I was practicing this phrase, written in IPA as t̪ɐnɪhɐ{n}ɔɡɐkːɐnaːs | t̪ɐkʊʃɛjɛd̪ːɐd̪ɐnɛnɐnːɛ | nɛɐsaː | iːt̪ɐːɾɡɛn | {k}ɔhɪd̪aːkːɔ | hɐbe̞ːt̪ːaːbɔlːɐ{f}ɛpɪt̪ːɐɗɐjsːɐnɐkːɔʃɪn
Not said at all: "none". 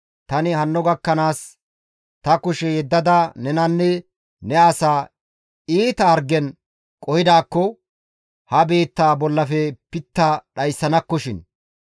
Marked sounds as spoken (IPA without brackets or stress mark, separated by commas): nː, kʼ, f